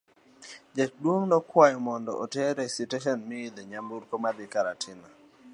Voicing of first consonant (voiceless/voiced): voiced